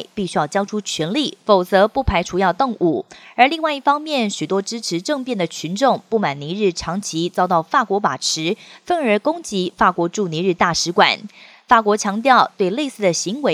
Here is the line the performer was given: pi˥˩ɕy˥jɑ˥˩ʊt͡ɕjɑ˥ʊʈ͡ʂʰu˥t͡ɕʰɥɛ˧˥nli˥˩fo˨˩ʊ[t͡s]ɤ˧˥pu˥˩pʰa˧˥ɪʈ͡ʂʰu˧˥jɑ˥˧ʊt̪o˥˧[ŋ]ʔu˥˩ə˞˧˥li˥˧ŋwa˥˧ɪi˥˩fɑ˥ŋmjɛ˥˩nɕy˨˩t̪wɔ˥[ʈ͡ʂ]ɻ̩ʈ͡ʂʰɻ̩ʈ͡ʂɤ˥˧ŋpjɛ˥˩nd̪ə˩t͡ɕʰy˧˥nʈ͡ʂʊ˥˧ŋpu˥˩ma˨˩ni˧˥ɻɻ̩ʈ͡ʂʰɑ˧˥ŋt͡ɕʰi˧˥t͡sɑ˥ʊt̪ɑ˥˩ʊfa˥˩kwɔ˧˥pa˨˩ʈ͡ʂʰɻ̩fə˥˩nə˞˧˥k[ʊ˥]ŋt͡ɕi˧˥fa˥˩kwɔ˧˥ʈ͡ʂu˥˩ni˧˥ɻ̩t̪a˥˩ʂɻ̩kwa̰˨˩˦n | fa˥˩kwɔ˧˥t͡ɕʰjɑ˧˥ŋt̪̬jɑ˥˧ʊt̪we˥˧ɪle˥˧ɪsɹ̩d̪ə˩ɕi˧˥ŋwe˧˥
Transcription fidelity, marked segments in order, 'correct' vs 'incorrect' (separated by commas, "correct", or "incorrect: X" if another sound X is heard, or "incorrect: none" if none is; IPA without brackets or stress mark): correct, correct, correct, correct